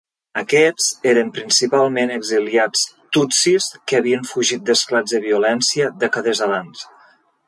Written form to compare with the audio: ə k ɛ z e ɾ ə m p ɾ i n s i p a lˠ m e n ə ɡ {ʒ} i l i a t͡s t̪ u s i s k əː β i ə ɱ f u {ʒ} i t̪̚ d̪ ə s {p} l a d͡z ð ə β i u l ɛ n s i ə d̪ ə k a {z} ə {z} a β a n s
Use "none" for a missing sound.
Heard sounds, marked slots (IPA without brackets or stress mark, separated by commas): z, ʒ, k, ð, z